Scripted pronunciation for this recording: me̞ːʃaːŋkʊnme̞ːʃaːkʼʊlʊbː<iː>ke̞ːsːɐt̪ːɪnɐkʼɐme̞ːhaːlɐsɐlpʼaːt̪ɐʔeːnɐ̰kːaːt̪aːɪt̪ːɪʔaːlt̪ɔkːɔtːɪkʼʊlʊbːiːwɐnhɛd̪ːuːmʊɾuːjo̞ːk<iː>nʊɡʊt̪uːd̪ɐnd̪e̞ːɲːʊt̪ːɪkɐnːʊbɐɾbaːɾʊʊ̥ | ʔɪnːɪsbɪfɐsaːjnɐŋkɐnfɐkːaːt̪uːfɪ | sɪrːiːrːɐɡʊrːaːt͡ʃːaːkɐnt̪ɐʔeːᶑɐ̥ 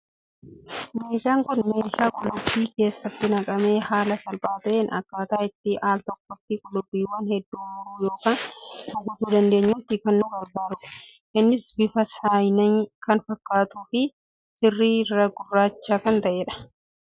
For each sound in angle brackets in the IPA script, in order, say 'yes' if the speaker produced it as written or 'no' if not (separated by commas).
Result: yes, no